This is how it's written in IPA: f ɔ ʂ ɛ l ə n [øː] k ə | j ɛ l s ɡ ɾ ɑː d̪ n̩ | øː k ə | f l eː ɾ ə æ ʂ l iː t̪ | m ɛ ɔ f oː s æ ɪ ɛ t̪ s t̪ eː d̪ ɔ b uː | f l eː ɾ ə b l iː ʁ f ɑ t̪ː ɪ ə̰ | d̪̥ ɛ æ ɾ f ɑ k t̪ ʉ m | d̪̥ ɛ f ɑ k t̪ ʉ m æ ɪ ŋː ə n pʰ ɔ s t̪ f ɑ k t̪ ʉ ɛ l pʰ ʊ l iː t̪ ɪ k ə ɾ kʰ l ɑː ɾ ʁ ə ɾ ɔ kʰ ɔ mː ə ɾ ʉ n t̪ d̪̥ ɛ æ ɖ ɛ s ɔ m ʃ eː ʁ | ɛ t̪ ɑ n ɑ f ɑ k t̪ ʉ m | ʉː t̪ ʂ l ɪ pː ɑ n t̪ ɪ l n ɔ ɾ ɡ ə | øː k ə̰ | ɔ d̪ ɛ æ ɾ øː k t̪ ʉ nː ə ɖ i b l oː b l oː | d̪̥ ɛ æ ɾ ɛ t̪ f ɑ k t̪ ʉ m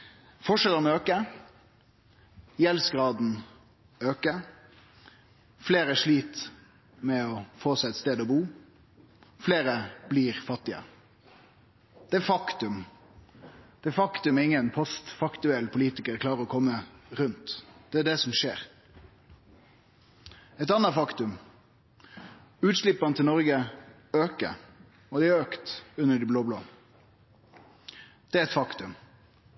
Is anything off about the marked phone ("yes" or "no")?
no